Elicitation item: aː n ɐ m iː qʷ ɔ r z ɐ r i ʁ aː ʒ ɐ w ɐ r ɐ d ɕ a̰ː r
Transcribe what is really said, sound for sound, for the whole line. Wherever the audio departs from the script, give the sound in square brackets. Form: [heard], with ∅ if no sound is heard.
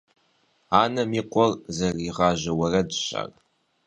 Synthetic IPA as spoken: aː n ɐ m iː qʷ ɔ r z ɐ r i ʁ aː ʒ ɐ w ɐ r ɐ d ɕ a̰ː r